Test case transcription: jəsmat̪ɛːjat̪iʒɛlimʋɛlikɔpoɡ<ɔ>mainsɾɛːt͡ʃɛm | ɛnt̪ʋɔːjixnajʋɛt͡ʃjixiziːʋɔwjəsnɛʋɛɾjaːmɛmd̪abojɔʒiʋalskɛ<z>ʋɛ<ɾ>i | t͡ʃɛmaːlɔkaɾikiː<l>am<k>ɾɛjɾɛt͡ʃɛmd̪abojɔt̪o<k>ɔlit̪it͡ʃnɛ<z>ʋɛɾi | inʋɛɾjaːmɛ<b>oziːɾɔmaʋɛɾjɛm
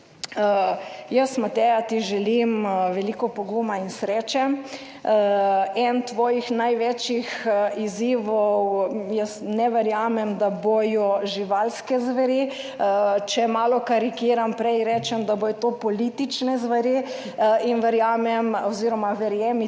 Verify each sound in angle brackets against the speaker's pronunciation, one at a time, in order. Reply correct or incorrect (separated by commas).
incorrect, correct, correct, incorrect, incorrect, incorrect, correct, incorrect